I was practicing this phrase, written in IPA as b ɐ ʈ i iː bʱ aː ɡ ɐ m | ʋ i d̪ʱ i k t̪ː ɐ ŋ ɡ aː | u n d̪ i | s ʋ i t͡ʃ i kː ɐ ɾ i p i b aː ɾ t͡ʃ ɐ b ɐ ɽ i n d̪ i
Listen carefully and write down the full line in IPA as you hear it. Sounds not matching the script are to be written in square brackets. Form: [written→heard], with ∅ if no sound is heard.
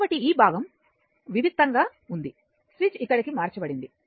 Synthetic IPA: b ɐ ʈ i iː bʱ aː ɡ ɐ m | ʋ i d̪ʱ i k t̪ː ɐ ŋ ɡ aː | u n d̪ i | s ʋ i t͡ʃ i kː ɐ [ɾ→ɽ] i [p→k] i [b→m] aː ɾ t͡ʃ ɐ b ɐ ɽ i n d̪ i

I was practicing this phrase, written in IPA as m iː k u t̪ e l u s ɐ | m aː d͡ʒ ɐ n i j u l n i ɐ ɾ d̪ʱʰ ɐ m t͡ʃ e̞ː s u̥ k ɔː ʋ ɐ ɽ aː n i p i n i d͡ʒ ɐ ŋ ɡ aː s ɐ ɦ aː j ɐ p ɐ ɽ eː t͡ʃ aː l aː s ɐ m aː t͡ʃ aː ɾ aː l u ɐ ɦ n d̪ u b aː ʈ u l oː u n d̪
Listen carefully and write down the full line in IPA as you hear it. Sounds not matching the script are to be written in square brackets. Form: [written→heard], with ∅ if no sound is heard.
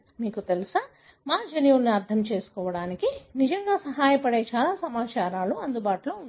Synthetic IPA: m iː k u t̪ e l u s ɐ | m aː d͡ʒ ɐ n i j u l n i ɐ ɾ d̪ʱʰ ɐ m t͡ʃ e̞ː s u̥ k ɔː ʋ ɐ ɽ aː n i [p→k] i n i d͡ʒ ɐ ŋ ɡ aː s ɐ ɦ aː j ɐ p ɐ ɽ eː t͡ʃ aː l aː s ɐ m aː t͡ʃ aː ɾ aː l u ɐ [ɦ→∅] n d̪ u b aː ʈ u l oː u n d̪

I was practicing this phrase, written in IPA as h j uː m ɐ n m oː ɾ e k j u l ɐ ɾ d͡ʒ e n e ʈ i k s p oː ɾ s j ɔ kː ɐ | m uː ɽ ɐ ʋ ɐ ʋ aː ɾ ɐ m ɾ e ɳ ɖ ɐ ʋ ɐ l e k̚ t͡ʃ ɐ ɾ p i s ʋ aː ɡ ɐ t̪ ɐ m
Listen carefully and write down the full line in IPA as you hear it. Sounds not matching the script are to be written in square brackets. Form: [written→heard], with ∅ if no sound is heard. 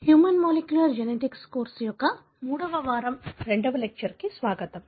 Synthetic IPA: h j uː m ɐ n m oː [ɾ→l] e k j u l ɐ ɾ d͡ʒ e n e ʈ i k s [p→k] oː ɾ s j ɔ kː ɐ | m uː ɽ ɐ ʋ ɐ ʋ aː ɾ ɐ m ɾ e ɳ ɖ ɐ ʋ ɐ l e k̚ t͡ʃ ɐ ɾ [p→k] i s ʋ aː ɡ ɐ t̪ ɐ m

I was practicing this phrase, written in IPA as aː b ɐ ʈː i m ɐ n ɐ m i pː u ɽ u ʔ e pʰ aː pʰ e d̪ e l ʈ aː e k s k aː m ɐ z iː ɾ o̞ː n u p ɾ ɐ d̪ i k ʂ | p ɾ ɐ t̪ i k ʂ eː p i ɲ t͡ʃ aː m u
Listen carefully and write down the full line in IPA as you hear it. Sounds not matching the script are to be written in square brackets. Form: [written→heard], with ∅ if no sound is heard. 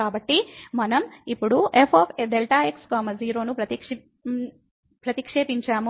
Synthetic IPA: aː b ɐ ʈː i m ɐ n ɐ m i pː u ɽ u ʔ e pʰ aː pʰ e d̪ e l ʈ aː e k s k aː m ɐ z iː ɾ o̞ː n u p ɾ ɐ [d̪→t̪] i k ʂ | p ɾ ɐ t̪ i k ʂ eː p i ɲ t͡ʃ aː m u

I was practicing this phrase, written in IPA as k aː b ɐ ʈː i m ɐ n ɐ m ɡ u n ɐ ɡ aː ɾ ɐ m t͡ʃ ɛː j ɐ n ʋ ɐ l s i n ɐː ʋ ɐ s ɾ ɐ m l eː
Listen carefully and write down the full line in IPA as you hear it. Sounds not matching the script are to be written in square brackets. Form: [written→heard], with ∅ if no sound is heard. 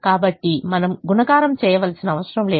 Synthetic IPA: k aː b ɐ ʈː i m ɐ n ɐ m ɡ u n ɐ ɡ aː ɾ ɐ m t͡ʃ ɛː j ɐ [n→∅] ʋ ɐ l s i n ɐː ʋ ɐ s ɾ ɐ m l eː

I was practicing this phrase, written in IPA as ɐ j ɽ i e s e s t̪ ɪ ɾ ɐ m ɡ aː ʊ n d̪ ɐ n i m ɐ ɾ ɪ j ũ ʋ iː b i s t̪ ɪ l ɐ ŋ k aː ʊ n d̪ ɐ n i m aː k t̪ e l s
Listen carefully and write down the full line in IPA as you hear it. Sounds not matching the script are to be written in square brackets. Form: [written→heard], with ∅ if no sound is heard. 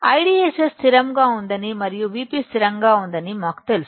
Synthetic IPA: ɐ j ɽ i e s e s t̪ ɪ ɾ ɐ m ɡ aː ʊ n d̪ ɐ n i m ɐ ɾ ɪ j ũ ʋ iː [b→p] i s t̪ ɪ [l→ɾ] ɐ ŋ [k→ɡ] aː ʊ n d̪ ɐ n i m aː k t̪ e l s

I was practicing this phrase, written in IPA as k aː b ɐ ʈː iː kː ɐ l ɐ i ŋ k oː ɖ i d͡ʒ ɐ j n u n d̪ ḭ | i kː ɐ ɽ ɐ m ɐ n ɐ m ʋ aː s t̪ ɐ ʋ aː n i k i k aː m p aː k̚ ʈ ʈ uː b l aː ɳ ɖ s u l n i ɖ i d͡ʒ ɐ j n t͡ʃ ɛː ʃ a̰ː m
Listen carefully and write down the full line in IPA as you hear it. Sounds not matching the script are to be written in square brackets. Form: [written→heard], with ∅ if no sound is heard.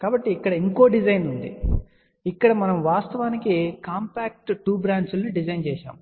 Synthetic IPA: k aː b ɐ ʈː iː kː ɐ [l→ɽ] ɐ i ŋ k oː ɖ i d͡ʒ ɐ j n u n d̪ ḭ | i kː ɐ ɽ ɐ m ɐ n ɐ m ʋ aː s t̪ ɐ ʋ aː n i k i k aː m p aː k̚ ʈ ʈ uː b [l→ɾ] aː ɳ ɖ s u l n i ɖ i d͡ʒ ɐ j n t͡ʃ ɛː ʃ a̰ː m

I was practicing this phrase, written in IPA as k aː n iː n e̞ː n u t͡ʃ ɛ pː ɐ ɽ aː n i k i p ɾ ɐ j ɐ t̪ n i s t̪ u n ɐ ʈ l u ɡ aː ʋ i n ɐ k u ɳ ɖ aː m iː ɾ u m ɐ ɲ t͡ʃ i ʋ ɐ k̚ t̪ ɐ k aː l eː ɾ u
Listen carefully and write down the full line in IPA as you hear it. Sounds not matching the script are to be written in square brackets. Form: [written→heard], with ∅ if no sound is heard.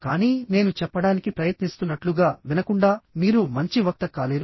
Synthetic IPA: k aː n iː n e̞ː n u t͡ʃ ɛ pː ɐ ɽ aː n i k i p ɾ ɐ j ɐ t̪ n i s t̪ u [n→nː] ɐ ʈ l u ɡ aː ʋ i n ɐ k u ɳ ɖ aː m iː ɾ u m ɐ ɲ t͡ʃ i ʋ ɐ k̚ t̪ ɐ k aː l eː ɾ u

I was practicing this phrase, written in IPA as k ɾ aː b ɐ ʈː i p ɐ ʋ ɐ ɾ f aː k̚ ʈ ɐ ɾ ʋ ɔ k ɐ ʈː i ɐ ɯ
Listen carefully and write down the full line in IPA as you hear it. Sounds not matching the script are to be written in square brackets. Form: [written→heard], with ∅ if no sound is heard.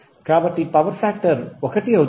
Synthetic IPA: k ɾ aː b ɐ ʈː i p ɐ ʋ ɐ ɾ f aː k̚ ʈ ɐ ɾ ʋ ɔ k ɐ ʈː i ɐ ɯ

